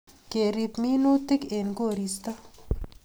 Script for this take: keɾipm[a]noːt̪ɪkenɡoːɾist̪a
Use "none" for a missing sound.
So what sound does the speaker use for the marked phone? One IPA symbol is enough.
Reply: i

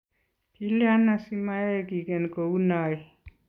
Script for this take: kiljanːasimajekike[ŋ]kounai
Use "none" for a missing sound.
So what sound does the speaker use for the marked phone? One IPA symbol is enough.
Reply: n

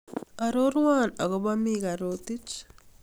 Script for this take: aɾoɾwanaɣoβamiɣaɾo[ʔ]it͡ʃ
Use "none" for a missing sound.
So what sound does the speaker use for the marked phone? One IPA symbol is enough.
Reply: t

